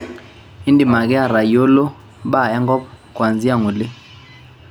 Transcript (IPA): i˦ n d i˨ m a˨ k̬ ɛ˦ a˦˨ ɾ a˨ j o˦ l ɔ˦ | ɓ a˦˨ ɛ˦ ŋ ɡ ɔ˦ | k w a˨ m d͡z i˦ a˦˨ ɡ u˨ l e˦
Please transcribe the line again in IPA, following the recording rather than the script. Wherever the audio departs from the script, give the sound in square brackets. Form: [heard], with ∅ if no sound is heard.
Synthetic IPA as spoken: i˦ n d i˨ m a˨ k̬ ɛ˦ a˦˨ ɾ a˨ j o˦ l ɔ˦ | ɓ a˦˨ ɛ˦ ŋ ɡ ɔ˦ | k w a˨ [n] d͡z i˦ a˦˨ [ŋ] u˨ l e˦